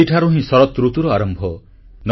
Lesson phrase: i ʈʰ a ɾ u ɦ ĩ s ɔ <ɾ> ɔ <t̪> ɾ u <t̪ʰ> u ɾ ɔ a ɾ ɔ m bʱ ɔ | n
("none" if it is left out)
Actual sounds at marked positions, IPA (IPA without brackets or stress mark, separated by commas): ɾ, t̪, t̪